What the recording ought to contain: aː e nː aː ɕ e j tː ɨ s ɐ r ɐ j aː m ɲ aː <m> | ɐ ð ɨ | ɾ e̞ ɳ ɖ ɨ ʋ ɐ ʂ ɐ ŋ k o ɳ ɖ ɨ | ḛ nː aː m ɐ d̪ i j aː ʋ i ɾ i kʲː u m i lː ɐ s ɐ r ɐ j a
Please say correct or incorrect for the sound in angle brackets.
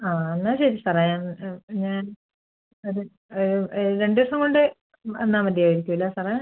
incorrect